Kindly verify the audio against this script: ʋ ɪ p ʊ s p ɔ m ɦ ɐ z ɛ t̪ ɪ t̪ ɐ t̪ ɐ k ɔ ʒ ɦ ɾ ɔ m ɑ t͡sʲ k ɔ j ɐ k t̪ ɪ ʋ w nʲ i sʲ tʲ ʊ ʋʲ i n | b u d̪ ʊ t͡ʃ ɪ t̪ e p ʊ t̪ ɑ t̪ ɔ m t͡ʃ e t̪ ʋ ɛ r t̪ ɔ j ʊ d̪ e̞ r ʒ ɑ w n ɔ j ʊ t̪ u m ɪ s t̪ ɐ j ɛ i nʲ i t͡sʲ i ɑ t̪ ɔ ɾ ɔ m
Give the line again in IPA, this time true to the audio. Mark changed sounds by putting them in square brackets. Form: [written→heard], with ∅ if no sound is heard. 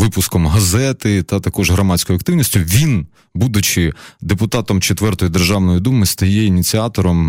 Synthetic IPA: ʋ ɪ p ʊ s [p→k] ɔ m ɦ ɐ z ɛ t̪ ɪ t̪ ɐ t̪ ɐ k ɔ ʒ ɦ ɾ ɔ m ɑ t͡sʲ k ɔ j ɐ k t̪ ɪ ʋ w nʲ i sʲ tʲ ʊ ʋʲ i n | b u d̪ ʊ t͡ʃ ɪ [t̪→d̪] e p ʊ t̪ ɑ t̪ ɔ m t͡ʃ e t̪ ʋ ɛ r t̪ ɔ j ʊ d̪ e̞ r ʒ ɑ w n ɔ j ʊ [t̪→d̪] u m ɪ s t̪ ɐ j ɛ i nʲ i t͡sʲ i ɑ t̪ ɔ ɾ ɔ m